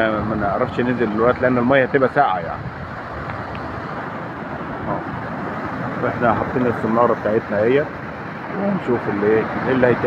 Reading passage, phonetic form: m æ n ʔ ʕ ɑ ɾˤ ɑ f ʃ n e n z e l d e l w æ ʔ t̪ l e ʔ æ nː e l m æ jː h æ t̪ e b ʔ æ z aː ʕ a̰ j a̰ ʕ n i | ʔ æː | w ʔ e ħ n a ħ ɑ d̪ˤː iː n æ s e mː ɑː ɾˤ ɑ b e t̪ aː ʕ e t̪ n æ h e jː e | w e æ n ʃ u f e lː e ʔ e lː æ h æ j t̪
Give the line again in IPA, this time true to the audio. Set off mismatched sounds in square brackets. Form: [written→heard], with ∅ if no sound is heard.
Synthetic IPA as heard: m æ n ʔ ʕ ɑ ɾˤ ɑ f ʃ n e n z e l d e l w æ ʔ t̪ l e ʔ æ nː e l m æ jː h æ t̪ e b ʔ æ [z→s] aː ʕ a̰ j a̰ ʕ n i | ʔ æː | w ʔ e ħ n [a→æ] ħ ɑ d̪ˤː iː n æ s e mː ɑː ɾˤ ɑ b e t̪ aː ʕ e t̪ n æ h e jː [e→æ] | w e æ n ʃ [u→uː] f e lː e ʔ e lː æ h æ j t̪